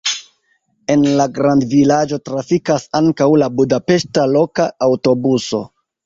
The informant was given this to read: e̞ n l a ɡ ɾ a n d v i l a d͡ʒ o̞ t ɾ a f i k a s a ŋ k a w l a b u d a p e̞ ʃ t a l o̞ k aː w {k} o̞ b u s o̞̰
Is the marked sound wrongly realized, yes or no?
yes